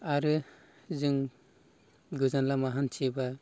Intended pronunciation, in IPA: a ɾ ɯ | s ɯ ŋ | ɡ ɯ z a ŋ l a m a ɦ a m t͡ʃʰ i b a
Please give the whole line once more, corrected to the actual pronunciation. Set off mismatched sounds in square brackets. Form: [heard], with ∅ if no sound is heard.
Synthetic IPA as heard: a ɾ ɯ | [z] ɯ ŋ | ɡ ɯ z a [n] l a m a ɦ a [n] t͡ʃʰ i b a